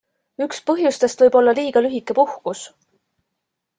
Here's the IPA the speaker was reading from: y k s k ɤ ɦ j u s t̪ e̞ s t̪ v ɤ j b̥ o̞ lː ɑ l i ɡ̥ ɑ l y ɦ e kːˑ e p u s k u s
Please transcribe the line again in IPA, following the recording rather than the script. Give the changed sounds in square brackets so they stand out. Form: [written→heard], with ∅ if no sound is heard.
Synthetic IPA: y k s [k→p] ɤ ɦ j u s t̪ e̞ s t̪ v ɤ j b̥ o̞ lː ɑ l [i→iː] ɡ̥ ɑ l y ɦ [e→i] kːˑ e p u [s→h] k u s